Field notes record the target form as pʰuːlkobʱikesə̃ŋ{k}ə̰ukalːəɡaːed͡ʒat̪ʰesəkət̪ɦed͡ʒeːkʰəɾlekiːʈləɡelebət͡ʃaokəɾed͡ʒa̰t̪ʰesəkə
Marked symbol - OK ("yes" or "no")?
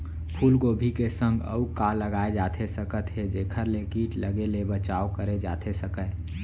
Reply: no